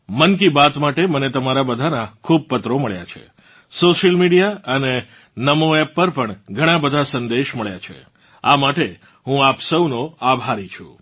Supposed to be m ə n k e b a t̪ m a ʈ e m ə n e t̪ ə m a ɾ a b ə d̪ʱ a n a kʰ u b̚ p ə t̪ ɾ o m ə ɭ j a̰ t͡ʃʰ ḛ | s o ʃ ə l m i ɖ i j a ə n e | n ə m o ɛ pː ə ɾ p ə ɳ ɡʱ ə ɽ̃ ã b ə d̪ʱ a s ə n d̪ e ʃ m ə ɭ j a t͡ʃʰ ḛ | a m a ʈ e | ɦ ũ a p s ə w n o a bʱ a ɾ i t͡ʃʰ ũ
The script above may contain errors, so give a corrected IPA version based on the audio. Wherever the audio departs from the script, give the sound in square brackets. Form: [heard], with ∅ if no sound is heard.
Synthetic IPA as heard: m ə n k [i] b a t̪ m a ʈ e m ə n e t̪ ə m a ɾ a b ə d̪ʱ a n a kʰ u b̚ p ə t̪ ɾ o m ə ɭ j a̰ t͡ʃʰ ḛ | s o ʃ ə l m i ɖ i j a ə n e | n ə m o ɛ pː ə ɾ p ə ɳ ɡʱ ə ɽ̃ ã b ə d̪ʱ a s ə n d̪ e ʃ m ə ɭ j a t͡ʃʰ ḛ | a m a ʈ e | ɦ ũ a p s ə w n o a bʱ a ɾ i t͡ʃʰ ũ